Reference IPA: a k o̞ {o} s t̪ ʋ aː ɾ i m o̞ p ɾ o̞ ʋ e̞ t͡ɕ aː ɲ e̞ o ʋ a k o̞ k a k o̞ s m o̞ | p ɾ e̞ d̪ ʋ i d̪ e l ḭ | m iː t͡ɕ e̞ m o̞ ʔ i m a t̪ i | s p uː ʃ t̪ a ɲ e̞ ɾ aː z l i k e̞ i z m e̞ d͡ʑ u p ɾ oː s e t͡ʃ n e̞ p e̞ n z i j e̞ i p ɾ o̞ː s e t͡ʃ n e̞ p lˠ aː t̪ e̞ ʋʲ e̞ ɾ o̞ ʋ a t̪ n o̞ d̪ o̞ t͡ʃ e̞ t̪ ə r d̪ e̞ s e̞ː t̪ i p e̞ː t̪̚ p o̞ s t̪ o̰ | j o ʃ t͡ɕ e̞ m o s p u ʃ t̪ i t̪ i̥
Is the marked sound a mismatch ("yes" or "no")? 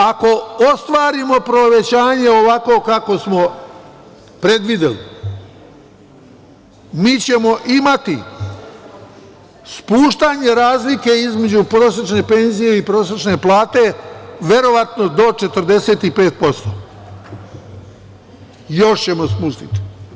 no